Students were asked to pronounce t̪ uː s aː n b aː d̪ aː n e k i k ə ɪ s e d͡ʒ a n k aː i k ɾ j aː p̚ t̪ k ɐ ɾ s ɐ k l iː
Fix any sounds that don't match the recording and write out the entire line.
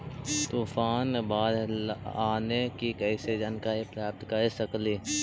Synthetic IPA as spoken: t̪ uː f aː n b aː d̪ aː n e k i k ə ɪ s e d͡ʒ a n k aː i p ɾ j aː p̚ t̪ k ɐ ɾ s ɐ k l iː